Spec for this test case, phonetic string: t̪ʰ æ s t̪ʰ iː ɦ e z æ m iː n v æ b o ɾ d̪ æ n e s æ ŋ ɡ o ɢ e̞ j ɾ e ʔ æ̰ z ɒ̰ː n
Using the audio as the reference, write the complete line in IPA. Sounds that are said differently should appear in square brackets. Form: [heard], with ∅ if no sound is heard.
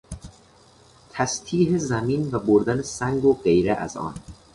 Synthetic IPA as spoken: t̪ʰ æ s t̪ʰ iː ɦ e z æ m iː n v æ b o ɾ d̪ æ n e s æ ŋ ɡ o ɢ e̞ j ɾ e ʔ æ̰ z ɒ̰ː n

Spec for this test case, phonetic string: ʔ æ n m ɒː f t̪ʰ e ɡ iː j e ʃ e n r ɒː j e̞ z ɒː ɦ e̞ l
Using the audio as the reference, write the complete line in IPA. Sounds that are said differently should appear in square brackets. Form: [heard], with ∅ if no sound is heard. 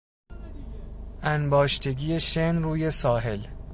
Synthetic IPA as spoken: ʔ æ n [b] ɒː [ʃ] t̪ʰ e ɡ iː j e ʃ e n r [uː] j e̞ [s] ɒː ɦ e̞ l

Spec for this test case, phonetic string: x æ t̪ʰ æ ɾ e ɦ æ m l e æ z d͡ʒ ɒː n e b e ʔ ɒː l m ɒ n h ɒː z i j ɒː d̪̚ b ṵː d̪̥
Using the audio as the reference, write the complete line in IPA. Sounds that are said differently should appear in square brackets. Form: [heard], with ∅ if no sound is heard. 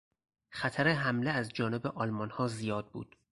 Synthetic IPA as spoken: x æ t̪ʰ æ ɾ e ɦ æ m l e æ z d͡ʒ ɒː n e b e ʔ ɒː l m ɒ n h ɒː z i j ɒː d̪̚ b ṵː d̪̥

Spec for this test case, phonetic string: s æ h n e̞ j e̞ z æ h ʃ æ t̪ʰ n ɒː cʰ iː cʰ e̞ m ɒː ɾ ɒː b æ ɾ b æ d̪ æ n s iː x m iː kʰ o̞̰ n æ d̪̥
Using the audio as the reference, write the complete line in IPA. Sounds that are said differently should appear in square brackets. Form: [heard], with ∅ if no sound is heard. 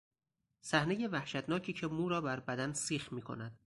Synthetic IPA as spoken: s æ h n e̞ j e̞ [v] æ h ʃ æ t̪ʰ n ɒː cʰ iː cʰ e̞ m [uː] ɾ ɒː b æ ɾ b æ d̪ æ n s iː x m iː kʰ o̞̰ n æ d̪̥

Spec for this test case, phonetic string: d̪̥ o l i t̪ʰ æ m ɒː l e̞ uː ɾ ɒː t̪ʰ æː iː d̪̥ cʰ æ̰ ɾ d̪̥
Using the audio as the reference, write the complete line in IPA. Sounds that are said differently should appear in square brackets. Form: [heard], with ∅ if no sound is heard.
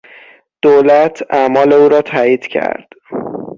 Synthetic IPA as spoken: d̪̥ o l [æ] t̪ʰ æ m ɒː l e̞ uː ɾ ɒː t̪ʰ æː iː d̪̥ cʰ æ̰ ɾ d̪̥

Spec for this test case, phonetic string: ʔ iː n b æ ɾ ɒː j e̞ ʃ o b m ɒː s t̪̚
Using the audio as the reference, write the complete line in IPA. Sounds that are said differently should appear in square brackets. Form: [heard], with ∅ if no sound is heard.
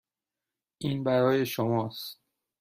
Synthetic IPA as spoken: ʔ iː n b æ ɾ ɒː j e̞ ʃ o [∅] m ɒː s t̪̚

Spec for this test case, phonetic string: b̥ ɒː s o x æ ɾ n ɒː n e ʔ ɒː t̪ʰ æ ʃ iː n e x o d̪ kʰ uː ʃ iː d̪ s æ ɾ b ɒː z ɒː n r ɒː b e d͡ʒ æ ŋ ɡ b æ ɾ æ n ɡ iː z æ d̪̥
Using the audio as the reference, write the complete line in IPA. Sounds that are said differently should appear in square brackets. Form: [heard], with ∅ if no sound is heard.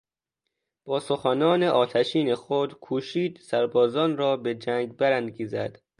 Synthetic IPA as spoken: b̥ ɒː s o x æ [∅] n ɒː n e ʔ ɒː t̪ʰ æ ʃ iː n e x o d̪ kʰ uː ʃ iː d̪ s æ ɾ b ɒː z ɒː n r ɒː b e d͡ʒ æ ŋ ɡ b æ ɾ æ n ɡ iː z æ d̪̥

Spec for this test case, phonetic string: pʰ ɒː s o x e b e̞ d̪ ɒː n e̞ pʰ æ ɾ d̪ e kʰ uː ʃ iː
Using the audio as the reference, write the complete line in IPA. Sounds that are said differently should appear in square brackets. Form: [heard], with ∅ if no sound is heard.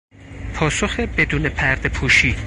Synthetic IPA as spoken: pʰ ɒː s o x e b e̞ d̪ [uː] n e̞ pʰ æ ɾ d̪ e [pʰ] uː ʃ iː

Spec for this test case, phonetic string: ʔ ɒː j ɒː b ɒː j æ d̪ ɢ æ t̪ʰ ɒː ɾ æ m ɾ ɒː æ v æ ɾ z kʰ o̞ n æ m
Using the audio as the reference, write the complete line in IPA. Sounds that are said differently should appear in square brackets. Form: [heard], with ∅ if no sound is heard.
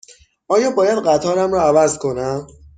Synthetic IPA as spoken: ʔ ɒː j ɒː b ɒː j æ d̪ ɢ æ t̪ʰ ɒː ɾ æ m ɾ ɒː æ v æ [∅] z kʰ o̞ n æ m

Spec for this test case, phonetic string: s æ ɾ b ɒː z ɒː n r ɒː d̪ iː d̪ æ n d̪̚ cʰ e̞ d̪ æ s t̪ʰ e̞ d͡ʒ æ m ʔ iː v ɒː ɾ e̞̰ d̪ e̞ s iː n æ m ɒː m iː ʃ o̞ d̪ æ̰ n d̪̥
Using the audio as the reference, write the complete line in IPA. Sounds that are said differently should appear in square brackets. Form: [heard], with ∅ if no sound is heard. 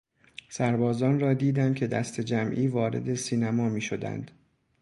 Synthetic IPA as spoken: s æ ɾ b ɒː z ɒː n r ɒː d̪ iː d̪ æ n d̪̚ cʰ e̞ d̪ æ s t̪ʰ e̞ d͡ʒ æ m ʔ iː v ɒː ɾ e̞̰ d̪ e̞ s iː n æ m ɒː m iː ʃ o̞ d̪ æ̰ n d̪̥

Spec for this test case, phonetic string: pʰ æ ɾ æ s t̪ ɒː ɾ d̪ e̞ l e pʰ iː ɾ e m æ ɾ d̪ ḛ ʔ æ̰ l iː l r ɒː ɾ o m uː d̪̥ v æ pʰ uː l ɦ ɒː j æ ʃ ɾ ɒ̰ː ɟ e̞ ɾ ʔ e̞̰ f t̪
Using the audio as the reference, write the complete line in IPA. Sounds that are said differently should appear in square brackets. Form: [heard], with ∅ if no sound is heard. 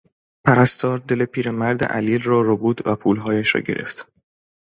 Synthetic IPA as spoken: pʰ æ ɾ æ s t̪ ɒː ɾ d̪ e̞ l e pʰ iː ɾ e m æ ɾ d̪ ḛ ʔ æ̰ l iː l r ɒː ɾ o [b] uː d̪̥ v æ pʰ uː l ɦ ɒː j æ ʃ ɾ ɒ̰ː ɟ e̞ ɾ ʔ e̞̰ f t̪

